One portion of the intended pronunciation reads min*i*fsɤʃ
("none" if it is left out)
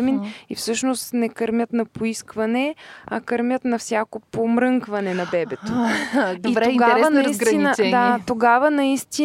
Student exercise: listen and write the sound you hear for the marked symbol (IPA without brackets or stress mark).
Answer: i